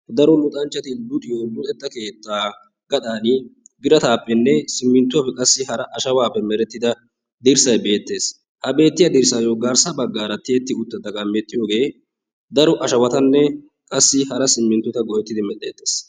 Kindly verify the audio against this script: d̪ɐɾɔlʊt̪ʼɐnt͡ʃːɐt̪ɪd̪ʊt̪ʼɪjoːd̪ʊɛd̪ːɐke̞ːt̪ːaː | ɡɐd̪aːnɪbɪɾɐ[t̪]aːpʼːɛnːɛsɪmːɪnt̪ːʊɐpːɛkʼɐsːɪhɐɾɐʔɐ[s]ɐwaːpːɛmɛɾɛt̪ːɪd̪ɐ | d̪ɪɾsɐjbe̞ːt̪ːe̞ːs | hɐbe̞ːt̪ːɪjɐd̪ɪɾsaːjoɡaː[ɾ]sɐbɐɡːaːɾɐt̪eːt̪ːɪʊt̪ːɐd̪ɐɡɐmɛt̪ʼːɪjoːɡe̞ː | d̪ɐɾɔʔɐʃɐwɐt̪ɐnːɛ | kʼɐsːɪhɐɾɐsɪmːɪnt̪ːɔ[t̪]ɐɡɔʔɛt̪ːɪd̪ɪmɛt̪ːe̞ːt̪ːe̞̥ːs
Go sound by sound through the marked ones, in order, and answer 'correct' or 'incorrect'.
correct, incorrect: ʃ, correct, correct

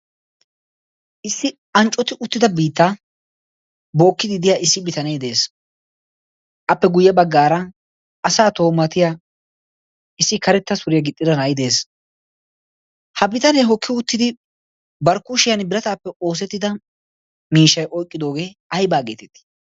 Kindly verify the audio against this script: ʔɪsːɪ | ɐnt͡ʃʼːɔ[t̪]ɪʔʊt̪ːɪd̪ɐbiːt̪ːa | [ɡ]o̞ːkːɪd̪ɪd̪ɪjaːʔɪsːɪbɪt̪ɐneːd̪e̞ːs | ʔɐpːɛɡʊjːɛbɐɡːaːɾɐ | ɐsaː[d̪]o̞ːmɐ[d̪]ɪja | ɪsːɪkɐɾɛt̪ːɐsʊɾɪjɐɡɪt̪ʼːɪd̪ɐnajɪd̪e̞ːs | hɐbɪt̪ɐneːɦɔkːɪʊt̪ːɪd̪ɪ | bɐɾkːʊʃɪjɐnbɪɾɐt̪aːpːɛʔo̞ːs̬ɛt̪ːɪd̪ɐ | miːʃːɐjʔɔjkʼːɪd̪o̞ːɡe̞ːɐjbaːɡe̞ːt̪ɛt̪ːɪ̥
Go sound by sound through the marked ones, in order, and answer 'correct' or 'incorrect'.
correct, incorrect: b, incorrect: t̪, incorrect: t̪

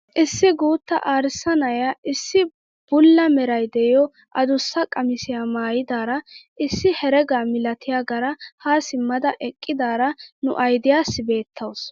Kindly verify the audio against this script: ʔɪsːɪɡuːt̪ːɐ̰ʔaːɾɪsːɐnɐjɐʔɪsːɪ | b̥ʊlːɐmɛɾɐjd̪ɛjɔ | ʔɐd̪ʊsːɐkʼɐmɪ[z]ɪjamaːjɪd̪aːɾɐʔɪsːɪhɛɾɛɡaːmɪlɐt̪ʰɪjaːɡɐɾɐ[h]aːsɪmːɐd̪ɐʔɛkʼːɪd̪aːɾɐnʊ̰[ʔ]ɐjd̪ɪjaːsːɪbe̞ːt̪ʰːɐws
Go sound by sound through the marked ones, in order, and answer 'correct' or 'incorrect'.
incorrect: s, correct, correct

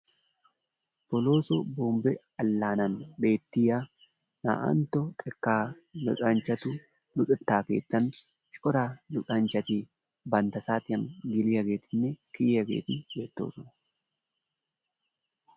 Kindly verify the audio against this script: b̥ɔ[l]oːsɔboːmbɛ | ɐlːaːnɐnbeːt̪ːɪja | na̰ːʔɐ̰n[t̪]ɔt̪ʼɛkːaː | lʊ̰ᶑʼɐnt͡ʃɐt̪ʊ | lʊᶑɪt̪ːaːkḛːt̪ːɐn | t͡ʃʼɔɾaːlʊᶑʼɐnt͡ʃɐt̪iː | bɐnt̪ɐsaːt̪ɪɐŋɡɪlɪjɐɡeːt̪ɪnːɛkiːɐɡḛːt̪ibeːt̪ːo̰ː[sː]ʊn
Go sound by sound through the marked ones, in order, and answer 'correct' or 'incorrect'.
correct, correct, incorrect: s

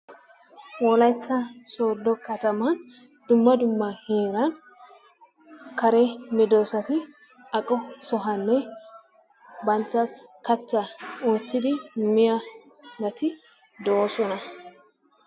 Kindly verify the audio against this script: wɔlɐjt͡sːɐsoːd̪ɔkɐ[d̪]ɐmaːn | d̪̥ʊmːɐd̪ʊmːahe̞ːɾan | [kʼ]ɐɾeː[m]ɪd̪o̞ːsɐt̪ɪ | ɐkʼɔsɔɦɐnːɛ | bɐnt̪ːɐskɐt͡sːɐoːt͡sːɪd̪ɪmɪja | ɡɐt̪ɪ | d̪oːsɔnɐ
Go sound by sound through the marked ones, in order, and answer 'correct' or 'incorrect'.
incorrect: t̪, incorrect: k, correct

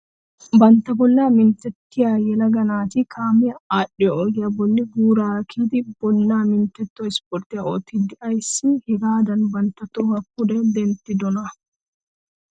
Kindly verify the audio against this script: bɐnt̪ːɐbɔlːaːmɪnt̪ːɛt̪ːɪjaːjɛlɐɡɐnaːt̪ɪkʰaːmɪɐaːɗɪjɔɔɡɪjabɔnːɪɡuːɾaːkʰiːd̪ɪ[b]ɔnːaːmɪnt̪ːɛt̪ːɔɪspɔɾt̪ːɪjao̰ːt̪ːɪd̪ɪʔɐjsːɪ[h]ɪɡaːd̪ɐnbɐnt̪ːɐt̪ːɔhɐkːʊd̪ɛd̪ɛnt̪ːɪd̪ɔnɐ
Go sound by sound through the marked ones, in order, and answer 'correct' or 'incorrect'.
correct, correct

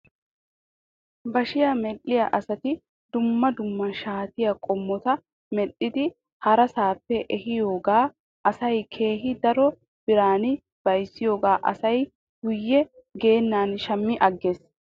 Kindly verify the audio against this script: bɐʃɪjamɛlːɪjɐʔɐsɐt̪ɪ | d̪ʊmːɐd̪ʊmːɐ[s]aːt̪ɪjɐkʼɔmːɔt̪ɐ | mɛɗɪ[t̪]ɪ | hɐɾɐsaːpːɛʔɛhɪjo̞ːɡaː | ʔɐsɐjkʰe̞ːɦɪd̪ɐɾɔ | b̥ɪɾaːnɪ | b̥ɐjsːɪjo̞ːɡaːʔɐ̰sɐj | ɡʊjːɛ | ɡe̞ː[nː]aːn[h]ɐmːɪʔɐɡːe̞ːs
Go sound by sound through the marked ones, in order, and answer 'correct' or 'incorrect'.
incorrect: ʃ, incorrect: d̪, correct, incorrect: ʃ

